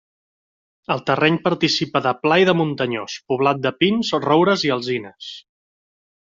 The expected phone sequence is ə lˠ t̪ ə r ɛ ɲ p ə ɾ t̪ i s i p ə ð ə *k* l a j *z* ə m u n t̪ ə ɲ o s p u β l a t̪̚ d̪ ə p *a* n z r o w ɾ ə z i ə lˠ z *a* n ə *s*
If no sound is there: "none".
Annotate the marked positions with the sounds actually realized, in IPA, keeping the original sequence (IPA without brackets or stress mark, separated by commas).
p, ð, i, i, s